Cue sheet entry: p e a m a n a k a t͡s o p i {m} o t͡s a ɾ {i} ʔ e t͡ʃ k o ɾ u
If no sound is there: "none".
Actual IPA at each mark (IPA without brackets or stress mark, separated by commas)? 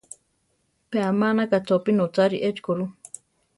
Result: n, i